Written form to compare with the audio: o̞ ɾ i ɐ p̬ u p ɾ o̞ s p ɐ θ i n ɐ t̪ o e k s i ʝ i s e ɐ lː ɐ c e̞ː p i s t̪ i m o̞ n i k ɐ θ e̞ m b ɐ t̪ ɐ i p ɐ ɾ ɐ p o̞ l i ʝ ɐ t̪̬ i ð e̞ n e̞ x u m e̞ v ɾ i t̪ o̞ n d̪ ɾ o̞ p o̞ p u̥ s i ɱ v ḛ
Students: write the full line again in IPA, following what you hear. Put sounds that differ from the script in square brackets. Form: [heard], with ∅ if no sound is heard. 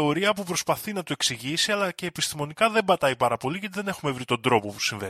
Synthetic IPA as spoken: o̞ ɾ i ɐ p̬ u p ɾ o̞ s p ɐ θ i n ɐ t̪ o e k s i ʝ i s [i] ɐ [l] ɐ c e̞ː p i s t̪ i m o̞ n i k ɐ [ð] e̞ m b ɐ t̪ ɐ i p ɐ ɾ ɐ p o̞ l i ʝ ɐ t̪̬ i ð e̞ n e̞ x u m e̞ v ɾ i t̪ o̞ n d̪ ɾ o̞ p o̞ p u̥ s i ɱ v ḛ